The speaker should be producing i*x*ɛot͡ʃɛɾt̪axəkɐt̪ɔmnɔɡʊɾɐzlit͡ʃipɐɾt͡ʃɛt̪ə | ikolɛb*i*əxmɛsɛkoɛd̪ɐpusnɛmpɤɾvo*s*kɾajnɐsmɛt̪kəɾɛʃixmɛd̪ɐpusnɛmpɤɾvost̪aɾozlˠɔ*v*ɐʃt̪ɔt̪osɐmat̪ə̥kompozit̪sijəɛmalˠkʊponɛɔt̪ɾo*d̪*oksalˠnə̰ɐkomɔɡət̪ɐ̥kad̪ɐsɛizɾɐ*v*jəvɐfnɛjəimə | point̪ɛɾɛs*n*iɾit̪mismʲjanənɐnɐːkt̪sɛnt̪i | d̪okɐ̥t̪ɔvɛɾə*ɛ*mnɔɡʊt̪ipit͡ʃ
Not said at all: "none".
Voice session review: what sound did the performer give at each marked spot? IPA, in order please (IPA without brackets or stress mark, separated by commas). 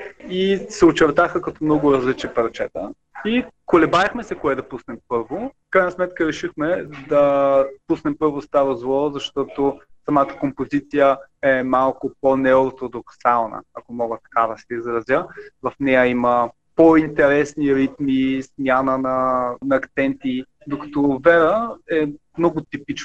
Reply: s, a, f, z, d̪, z, n, ɛ